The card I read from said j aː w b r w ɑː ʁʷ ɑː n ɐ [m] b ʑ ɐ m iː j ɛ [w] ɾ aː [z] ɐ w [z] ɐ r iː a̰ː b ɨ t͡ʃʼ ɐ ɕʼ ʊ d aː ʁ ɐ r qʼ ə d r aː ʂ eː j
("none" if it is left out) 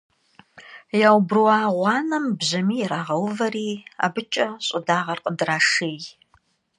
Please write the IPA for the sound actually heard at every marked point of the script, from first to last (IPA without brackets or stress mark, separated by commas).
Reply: m, none, ʁ, v